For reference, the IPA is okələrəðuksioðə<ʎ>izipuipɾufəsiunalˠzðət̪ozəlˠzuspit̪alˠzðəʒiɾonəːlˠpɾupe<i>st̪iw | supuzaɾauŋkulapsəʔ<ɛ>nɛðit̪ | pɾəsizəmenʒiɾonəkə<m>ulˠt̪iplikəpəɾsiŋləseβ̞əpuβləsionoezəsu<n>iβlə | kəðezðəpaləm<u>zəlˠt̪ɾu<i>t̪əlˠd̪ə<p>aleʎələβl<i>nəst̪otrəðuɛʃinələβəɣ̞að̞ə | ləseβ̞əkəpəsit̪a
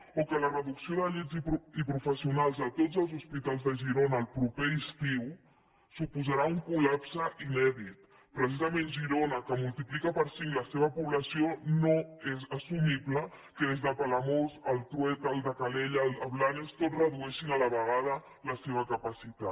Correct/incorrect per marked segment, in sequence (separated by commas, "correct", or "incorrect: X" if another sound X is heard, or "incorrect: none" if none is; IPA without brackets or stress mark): correct, correct, incorrect: i, correct, incorrect: m, incorrect: o, incorrect: ɛ, incorrect: k, incorrect: a